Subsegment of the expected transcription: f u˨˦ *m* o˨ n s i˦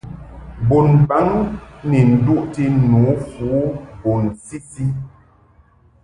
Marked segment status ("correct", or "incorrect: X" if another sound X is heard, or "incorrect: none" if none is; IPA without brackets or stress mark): incorrect: b